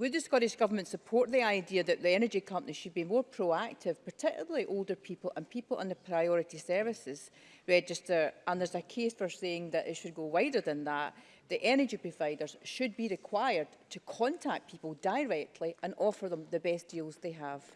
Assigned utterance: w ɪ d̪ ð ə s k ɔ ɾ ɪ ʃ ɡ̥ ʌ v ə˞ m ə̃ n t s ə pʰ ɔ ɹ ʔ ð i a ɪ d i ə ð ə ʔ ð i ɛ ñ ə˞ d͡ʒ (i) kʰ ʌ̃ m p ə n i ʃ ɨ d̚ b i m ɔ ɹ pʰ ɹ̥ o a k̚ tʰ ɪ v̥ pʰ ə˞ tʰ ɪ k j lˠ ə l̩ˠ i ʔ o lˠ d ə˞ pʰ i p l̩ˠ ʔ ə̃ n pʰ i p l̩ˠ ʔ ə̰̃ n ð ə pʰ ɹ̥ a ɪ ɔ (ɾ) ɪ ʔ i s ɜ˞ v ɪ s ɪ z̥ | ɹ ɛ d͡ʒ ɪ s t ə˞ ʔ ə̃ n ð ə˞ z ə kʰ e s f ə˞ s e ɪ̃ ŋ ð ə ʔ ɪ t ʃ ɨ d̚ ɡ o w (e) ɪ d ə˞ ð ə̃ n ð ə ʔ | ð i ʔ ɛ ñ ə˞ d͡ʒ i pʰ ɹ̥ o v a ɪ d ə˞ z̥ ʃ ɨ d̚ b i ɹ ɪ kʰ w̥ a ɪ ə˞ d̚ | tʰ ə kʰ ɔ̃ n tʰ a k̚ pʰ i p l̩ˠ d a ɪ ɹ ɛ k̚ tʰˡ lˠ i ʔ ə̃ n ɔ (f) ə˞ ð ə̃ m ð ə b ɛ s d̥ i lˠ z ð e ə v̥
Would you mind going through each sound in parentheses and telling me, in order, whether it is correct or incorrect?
correct, incorrect: ɹ, incorrect: a, correct

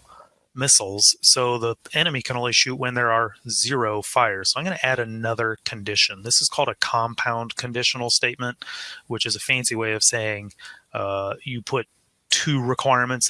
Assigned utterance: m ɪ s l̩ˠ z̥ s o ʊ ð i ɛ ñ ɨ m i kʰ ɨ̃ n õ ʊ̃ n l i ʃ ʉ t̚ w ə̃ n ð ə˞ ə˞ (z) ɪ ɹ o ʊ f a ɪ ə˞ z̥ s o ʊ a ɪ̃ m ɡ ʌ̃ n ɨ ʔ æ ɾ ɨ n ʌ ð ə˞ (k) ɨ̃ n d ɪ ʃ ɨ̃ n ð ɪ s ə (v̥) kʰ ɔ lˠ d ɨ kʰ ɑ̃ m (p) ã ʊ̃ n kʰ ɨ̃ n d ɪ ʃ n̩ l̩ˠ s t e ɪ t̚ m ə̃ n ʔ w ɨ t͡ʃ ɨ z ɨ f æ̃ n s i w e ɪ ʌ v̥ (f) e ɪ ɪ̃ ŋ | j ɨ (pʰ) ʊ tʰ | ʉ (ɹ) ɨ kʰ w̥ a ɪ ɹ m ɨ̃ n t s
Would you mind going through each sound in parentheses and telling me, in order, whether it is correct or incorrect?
correct, incorrect: kʰ, incorrect: z̥, incorrect: pʰ, incorrect: s, correct, correct

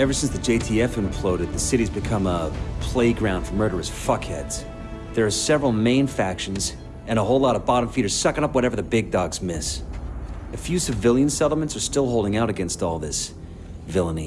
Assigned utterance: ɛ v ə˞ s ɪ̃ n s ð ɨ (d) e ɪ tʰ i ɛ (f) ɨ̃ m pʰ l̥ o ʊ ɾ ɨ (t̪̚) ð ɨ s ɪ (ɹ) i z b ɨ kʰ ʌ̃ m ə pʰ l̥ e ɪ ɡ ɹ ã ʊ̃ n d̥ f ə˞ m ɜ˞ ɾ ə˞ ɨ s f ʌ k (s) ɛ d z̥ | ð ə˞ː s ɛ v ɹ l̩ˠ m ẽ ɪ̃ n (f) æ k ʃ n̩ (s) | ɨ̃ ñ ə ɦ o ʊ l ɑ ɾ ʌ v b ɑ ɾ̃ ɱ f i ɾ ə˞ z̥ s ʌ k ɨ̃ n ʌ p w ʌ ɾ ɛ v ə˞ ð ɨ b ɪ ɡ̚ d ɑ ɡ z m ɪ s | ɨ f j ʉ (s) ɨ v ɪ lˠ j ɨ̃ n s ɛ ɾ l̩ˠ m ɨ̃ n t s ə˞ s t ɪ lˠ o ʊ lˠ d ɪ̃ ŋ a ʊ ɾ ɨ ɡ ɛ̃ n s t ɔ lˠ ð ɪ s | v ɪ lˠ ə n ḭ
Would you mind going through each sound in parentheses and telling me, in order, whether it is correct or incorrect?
incorrect: d͡ʒ, correct, incorrect: d̪̚, incorrect: ɾ, incorrect: h, correct, incorrect: z, correct

